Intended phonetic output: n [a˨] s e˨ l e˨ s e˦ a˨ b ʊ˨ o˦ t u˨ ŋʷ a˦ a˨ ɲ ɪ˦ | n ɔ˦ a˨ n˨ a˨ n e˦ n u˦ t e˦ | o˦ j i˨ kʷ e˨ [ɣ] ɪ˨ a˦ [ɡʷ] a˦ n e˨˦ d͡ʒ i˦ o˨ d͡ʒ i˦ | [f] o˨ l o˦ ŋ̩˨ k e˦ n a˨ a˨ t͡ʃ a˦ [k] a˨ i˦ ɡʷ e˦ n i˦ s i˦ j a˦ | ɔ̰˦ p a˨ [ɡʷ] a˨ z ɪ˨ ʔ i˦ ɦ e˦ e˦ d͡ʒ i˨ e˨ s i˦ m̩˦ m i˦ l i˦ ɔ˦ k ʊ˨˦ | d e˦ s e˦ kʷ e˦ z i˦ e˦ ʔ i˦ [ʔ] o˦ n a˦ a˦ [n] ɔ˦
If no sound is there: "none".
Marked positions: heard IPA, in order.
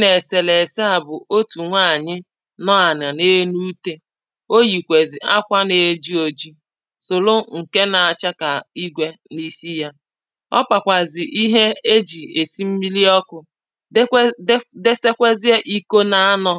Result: e˨, z, kʷ, s, k, kʷ, k, n

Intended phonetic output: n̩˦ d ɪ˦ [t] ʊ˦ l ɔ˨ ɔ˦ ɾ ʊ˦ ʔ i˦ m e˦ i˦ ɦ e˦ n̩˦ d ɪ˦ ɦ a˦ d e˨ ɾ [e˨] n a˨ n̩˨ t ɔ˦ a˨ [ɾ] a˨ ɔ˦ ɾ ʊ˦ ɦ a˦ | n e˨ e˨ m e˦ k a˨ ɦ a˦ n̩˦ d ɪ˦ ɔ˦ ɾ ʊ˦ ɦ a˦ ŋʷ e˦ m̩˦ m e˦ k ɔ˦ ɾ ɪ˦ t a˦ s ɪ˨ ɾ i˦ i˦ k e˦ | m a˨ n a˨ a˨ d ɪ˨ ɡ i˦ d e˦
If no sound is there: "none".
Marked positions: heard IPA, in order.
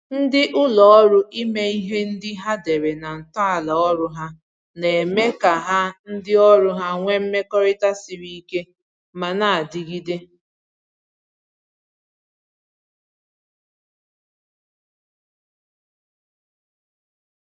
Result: ʔ, e˨, l

